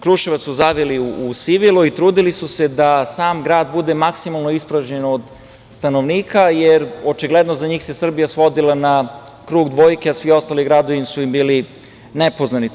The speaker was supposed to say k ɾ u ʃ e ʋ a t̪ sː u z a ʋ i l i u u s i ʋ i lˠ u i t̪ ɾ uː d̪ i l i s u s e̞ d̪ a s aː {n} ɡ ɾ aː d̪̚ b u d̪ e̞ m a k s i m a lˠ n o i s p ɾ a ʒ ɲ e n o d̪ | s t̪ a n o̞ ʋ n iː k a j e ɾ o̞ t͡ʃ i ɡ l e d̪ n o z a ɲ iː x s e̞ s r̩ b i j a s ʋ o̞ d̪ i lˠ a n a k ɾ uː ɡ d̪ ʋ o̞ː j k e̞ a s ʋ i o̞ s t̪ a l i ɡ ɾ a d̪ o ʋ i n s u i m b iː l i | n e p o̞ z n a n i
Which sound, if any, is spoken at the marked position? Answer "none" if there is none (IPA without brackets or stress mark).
m